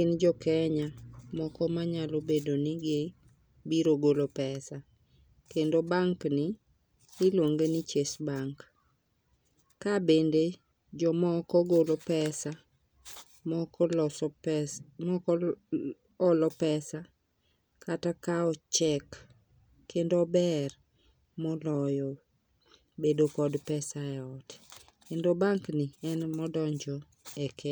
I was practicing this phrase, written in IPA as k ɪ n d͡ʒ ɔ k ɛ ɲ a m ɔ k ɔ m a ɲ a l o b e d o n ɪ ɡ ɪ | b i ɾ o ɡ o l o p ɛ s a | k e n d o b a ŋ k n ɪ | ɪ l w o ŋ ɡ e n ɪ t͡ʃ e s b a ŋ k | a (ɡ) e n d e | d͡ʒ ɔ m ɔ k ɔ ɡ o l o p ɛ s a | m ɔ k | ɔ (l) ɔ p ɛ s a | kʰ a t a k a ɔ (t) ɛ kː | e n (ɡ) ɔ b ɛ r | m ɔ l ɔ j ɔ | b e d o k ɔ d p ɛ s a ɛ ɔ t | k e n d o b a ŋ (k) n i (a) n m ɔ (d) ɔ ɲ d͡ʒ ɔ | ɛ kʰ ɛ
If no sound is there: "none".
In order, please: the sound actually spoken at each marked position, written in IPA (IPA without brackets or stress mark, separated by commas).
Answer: b, l, t͡ʃ, d, k, ɛ, d